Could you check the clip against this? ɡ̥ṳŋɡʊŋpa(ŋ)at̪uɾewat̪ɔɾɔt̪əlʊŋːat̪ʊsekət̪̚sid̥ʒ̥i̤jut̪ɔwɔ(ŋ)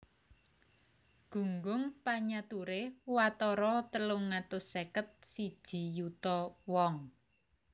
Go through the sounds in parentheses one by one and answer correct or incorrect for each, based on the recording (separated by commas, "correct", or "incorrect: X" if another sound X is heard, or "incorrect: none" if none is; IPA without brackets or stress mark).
incorrect: ɲ, correct